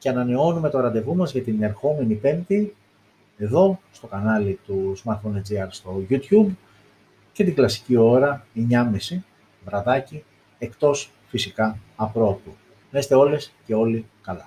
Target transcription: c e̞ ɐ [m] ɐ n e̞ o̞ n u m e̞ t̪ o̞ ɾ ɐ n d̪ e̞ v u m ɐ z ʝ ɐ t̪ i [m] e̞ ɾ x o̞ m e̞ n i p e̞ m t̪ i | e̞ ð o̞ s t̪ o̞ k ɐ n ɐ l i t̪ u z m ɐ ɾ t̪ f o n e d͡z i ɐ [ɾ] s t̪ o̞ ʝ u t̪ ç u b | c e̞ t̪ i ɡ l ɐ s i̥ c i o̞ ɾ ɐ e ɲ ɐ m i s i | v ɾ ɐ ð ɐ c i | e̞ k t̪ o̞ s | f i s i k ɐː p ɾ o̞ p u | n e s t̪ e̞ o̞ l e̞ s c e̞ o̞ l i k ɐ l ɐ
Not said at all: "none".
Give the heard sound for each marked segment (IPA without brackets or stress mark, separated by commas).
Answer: n, n, ɾ